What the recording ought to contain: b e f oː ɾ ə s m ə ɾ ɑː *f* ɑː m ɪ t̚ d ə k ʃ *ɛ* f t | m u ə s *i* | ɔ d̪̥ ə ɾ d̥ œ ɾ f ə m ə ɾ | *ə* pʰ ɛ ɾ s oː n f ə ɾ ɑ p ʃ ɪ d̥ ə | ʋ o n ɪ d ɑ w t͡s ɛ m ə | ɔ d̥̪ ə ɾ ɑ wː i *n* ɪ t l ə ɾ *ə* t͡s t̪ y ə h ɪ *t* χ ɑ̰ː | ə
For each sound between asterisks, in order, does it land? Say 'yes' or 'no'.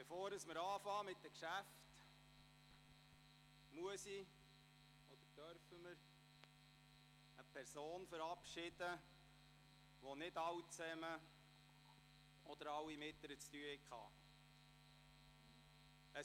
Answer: yes, no, yes, yes, no, yes, no

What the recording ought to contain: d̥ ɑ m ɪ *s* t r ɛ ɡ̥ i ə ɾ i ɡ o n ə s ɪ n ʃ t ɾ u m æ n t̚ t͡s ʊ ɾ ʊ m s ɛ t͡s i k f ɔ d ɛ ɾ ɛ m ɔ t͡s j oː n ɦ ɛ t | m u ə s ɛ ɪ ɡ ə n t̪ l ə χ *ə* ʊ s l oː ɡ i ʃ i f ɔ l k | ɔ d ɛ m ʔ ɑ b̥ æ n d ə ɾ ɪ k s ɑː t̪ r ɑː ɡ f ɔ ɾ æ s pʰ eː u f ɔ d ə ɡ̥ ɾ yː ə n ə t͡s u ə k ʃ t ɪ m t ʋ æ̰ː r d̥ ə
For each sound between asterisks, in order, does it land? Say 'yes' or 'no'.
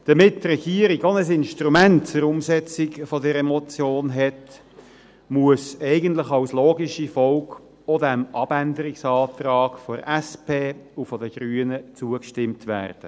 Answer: no, no

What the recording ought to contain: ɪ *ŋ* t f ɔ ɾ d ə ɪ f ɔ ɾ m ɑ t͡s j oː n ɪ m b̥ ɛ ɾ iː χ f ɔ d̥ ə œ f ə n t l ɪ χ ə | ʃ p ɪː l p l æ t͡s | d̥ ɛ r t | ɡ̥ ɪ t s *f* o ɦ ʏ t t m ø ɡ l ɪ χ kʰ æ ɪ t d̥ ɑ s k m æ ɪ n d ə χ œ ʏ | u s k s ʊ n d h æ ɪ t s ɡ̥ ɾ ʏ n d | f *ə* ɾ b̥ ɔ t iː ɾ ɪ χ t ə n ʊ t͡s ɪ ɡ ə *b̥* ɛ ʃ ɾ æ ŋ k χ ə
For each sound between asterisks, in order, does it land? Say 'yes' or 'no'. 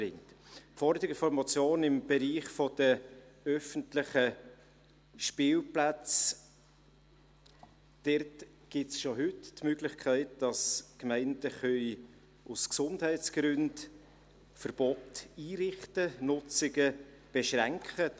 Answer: yes, no, yes, yes

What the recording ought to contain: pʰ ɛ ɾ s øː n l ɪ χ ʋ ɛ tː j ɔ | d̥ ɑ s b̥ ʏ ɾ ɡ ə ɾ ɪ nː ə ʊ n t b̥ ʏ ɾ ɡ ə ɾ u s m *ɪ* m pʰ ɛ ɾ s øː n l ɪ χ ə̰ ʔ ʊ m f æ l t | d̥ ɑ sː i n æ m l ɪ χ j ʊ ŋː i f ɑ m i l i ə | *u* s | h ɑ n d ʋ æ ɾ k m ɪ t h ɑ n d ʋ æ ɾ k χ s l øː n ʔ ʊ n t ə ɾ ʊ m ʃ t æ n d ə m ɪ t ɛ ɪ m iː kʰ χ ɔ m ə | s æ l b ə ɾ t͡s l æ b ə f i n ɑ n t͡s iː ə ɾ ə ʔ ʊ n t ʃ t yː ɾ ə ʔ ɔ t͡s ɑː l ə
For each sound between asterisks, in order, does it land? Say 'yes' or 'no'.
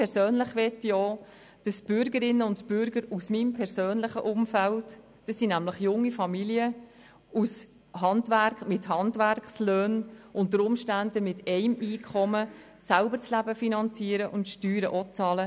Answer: no, yes

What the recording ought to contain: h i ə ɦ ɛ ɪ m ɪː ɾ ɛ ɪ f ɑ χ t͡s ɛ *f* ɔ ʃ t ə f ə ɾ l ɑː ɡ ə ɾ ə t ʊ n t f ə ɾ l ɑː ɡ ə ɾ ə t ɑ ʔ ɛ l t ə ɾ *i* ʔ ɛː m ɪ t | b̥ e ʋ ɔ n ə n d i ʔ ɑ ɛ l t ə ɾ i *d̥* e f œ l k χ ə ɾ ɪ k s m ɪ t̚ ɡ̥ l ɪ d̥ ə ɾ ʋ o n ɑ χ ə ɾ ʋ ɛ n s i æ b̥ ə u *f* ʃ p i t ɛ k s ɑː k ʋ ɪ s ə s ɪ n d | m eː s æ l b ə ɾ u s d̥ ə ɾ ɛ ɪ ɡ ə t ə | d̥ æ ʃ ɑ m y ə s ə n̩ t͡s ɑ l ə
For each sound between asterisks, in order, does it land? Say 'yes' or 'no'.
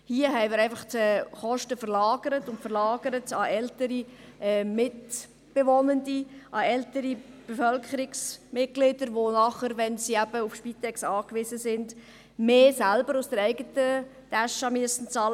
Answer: no, yes, no, yes

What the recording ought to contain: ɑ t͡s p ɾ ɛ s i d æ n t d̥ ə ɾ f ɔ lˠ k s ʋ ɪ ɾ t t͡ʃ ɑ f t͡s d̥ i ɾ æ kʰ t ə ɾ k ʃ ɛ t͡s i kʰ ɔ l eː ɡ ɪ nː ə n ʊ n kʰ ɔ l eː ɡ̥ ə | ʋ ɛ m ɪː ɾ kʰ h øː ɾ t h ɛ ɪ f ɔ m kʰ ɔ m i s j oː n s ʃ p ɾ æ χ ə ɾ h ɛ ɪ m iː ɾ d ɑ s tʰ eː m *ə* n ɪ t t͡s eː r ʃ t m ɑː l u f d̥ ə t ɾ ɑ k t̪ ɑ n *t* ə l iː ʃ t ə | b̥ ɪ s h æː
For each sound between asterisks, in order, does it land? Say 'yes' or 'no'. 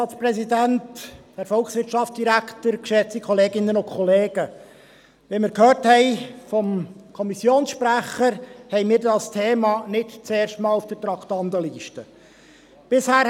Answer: no, no

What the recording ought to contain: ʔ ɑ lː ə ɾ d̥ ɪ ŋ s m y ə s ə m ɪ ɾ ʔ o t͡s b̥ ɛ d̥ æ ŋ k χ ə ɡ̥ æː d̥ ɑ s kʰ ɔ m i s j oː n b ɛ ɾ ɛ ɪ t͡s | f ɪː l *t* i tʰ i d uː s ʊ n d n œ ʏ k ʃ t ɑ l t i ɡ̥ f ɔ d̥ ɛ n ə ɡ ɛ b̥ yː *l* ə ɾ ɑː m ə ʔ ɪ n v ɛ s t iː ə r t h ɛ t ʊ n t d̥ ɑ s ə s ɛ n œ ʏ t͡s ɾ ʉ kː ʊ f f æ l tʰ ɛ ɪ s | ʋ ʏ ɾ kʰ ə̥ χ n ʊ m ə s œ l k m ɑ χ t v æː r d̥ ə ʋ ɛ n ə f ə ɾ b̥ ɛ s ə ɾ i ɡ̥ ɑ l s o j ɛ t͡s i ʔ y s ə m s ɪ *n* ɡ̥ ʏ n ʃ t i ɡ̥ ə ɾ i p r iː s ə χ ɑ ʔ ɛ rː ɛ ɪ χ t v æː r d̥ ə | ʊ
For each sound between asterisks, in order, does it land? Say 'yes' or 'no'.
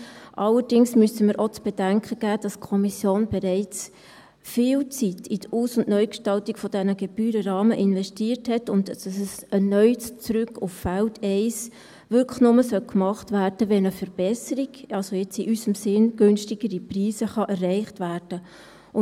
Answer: no, no, yes

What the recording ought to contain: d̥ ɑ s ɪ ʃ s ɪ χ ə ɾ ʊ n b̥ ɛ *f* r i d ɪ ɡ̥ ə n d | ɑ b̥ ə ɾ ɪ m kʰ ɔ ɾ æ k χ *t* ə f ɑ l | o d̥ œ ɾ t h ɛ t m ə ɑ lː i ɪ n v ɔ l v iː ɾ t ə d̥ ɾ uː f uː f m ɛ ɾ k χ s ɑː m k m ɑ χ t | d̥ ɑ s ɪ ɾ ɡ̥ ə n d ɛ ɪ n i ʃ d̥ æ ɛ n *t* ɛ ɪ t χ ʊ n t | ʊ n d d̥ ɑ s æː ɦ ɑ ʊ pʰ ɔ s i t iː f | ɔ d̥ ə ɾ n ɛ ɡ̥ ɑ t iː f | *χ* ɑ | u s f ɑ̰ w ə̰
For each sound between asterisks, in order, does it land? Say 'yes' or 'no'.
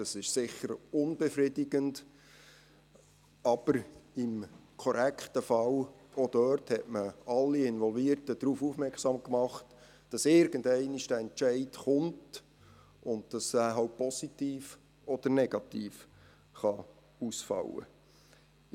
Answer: yes, yes, no, yes

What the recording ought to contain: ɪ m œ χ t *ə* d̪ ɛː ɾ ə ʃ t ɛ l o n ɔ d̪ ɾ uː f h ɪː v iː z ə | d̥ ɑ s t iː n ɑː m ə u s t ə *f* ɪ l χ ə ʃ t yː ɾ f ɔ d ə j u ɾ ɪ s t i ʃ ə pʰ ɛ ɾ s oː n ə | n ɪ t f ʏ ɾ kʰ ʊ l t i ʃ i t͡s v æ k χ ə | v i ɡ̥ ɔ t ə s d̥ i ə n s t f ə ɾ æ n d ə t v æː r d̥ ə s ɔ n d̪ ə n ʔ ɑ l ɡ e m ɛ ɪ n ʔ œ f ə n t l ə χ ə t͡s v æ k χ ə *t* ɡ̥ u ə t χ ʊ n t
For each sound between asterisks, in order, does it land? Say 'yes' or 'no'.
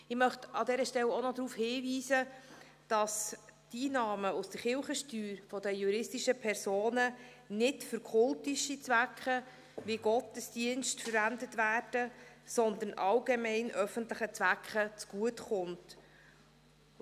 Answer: no, no, no

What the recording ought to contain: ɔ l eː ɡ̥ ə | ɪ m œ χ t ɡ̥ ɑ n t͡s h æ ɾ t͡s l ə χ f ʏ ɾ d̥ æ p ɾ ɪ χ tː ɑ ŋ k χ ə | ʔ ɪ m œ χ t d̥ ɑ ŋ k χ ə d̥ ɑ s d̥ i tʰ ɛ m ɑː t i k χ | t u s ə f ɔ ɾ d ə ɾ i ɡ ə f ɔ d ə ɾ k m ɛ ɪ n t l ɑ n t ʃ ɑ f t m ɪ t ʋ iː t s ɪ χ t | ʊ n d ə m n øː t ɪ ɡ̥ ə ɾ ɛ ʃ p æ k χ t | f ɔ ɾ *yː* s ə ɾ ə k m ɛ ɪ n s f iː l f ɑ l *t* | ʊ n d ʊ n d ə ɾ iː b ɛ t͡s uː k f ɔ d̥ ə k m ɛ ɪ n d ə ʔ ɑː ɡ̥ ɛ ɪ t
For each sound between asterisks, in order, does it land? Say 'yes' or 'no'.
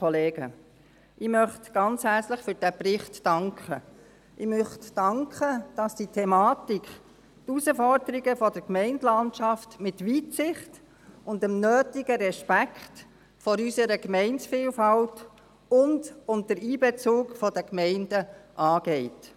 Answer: no, yes

